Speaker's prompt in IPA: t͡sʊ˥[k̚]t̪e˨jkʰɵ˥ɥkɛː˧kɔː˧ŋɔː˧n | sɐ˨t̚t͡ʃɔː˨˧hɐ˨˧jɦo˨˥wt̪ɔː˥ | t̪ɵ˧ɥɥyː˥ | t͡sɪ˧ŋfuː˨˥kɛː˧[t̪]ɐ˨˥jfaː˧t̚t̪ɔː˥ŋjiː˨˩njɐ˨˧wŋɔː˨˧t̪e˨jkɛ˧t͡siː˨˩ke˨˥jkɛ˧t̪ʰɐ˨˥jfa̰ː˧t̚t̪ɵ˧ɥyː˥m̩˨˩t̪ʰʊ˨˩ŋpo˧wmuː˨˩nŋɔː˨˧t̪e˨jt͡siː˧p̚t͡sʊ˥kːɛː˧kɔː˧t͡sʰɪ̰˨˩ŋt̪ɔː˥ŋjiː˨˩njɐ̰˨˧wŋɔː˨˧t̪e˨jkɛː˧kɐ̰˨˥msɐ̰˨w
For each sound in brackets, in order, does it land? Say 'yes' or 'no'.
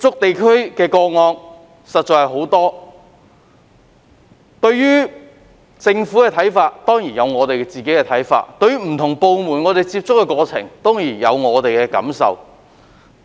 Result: yes, no

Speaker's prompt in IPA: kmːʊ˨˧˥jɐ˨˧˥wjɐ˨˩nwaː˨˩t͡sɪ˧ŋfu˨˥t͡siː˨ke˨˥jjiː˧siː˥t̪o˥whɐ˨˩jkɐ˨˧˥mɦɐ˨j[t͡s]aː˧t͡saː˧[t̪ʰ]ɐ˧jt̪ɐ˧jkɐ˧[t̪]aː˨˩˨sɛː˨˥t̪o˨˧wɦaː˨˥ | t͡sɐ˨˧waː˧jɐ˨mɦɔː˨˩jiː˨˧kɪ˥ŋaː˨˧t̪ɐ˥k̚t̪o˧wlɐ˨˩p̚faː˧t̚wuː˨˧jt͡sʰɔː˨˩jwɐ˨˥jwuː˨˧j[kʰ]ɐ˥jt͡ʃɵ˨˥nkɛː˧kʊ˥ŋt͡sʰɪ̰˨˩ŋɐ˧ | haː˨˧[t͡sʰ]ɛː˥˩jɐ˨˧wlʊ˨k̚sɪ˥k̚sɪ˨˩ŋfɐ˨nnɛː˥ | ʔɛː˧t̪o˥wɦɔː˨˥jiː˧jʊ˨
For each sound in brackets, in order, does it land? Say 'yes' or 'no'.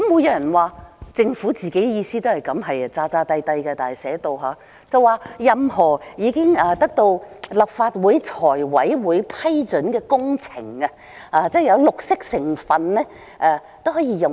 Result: yes, no, yes, no, no

